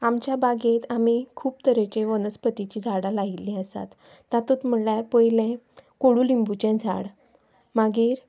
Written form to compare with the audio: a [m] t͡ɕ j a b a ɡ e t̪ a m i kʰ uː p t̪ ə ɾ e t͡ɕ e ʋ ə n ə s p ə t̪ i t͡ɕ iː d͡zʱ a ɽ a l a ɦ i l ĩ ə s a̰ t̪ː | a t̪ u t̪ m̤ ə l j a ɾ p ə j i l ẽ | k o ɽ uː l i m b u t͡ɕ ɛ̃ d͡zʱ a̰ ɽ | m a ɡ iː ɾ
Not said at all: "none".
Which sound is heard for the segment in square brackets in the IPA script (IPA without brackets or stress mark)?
m